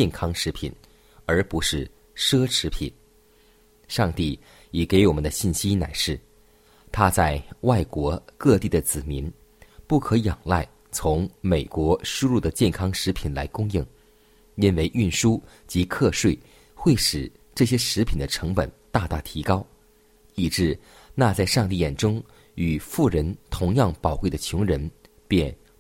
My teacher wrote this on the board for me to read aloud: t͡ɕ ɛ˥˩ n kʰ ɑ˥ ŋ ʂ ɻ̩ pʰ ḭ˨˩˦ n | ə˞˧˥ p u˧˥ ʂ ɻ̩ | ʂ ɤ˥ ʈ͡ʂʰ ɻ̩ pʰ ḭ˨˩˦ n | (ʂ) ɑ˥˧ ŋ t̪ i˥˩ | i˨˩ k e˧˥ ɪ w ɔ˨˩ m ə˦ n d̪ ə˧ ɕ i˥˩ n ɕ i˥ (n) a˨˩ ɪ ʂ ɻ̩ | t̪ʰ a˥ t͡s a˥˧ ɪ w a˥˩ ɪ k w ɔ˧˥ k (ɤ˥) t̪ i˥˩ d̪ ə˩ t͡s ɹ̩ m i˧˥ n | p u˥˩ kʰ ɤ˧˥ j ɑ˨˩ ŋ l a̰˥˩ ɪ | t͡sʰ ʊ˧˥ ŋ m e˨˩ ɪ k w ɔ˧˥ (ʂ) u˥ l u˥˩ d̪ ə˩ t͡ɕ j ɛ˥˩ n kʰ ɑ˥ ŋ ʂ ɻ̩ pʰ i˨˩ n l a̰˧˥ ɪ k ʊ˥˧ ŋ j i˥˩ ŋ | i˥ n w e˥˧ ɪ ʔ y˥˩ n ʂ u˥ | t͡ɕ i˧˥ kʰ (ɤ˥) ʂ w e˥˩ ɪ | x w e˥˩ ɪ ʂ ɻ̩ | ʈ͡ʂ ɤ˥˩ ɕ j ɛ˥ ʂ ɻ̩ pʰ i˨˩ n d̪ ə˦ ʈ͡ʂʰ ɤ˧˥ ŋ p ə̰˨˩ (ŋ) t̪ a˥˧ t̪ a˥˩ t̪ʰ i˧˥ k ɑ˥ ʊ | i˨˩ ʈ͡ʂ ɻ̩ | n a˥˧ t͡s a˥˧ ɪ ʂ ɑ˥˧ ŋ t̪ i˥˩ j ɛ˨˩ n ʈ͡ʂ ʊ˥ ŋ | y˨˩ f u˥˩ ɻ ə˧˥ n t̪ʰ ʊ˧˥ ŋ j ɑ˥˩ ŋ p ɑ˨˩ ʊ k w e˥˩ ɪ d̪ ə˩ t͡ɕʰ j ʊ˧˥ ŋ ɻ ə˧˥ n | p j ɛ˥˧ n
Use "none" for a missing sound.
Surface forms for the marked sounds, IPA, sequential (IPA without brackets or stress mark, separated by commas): ʂ, n, ɤ˥˧, ʂ, ɤ˥˧, n